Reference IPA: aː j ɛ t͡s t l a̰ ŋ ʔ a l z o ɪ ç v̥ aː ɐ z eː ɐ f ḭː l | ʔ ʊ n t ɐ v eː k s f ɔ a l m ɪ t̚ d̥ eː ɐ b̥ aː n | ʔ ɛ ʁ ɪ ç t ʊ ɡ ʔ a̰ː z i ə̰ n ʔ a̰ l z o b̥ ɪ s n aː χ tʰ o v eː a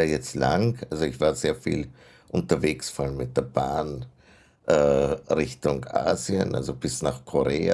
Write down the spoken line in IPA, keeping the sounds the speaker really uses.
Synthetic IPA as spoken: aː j ɛ t͡s t l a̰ ŋ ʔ a l z o ɪ ç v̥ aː ɐ z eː ɐ f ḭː l | ʔ ʊ n t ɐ v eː k s f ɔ a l m ɪ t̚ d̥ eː ɐ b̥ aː n | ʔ ɛ ʁ ɪ ç t ʊ ŋ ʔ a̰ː z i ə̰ n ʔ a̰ l z o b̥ ɪ s n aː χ kʰ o ʁ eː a

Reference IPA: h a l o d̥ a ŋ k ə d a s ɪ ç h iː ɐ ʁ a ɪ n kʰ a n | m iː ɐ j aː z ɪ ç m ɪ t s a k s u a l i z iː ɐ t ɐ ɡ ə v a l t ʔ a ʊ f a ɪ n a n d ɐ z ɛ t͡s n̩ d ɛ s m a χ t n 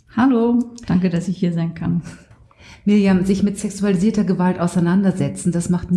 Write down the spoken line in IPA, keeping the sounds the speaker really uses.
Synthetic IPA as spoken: h a l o d̥ a ŋ k ə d a s ɪ ç h iː ɐ z a ɪ n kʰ a n | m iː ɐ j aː z ɪ ç m ɪ t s ɛ k s u a l i z iː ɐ t ɐ ɡ ə v a l t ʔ a ʊ s a ɪ n a n d ɐ z ɛ t͡s n̩ d a s m a χ t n

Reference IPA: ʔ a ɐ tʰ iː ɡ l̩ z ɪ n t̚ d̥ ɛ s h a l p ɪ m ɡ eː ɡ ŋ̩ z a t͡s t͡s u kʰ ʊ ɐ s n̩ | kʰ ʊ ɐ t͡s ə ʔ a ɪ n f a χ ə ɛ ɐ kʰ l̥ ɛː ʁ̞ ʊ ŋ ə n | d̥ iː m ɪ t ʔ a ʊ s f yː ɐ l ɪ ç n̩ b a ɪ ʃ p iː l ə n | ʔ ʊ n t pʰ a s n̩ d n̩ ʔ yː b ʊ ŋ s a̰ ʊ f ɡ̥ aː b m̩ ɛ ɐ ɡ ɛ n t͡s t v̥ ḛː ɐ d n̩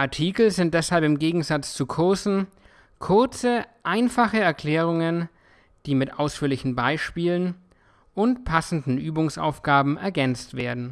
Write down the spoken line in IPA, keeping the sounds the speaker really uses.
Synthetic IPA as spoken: ʔ a ɐ tʰ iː k l̩ z ɪ n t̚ d̥ ɛ s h a l p ɪ m ɡ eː ɡ ŋ̩ z a t͡s t͡s u kʰ ʊ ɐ s n̩ | kʰ ʊ ɐ t͡s ə ʔ a ɪ n f a χ ə ɛ ɐ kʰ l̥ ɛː ʁ̞ ʊ ŋ ə n | d̥ iː m ɪ t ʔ a ʊ s f yː ɐ l ɪ ç n̩ b a ɪ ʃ p iː l ə n | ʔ ʊ n t pʰ a s n̩ d n̩ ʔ yː b ʊ ŋ s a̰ ʊ f ɡ̥ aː b m̩ ɛ ɐ ɡ ɛ n t͡s t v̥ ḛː ɐ d n̩

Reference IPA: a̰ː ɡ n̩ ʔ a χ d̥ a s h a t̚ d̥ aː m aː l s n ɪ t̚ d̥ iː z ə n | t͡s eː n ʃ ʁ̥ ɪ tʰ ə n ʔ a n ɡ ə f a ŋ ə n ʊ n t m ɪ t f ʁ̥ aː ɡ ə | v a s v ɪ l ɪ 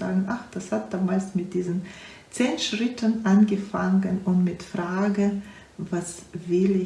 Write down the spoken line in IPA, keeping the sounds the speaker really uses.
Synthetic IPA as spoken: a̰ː ɡ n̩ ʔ a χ d̥ a s h a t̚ d̥ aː m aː l s m ɪ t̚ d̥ iː z ə n | t͡s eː n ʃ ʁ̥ ɪ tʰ ə n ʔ a n ɡ ə f a ŋ ə n ʊ n t m ɪ t f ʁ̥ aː ɡ ə | v a s v ɪ l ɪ

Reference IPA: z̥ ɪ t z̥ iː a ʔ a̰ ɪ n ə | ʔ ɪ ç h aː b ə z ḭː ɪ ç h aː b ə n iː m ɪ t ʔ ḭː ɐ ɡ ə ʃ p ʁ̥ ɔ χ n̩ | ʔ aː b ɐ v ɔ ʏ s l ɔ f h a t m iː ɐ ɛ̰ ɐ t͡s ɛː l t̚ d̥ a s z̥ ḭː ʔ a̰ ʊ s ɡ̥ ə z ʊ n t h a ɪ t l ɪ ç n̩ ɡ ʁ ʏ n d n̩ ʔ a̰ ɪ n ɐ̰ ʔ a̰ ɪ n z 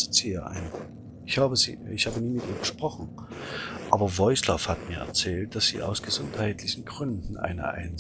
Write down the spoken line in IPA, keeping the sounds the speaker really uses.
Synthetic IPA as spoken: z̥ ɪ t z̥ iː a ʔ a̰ ɪ n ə | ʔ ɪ ç h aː b ə z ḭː ɪ ç h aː b ə n iː m ɪ t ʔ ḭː ɐ ɡ ə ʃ p ʁ̥ ɔ χ n̩ | ʔ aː b ɐ v ɔ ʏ s l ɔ f h a t m iː ɐ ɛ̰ ɐ t͡s ɛː l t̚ d̥ a s z̥ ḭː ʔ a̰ ʊ s ɡ̥ ə z ʊ n t h a ɪ t l ɪ ç n̩ ɡ ʁ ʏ n d n̩ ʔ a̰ ɪ n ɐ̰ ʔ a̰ ɪ n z

